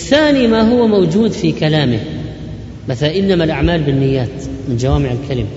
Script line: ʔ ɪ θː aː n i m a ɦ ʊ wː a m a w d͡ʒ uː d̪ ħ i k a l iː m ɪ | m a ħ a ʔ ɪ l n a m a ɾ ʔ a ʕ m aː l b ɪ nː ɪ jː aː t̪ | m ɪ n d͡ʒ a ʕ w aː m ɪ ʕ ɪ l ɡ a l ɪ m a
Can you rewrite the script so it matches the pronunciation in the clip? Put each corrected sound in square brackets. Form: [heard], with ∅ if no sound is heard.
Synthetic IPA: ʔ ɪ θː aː n i m a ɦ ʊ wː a m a w d͡ʒ uː d̪ [f] i k a l [aː] m ɪ | m a [θ] a ʔ ɪ l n a m a [l] ʔ a ʕ m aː l b ɪ nː ɪ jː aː t̪ | m ɪ n d͡ʒ a [∅] w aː m ɪ ʕ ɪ l [k] a l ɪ m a